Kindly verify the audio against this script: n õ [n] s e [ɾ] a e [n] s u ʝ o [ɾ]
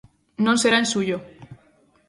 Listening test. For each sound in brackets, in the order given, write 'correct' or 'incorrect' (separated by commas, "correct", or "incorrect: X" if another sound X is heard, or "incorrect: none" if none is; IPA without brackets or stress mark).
correct, correct, correct, incorrect: none